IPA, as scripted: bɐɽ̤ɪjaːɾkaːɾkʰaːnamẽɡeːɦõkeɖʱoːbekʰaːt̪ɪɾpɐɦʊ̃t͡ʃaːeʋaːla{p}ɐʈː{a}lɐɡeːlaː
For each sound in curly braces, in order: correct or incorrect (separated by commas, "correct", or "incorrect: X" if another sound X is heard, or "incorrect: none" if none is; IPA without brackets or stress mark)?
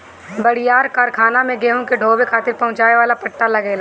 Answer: correct, correct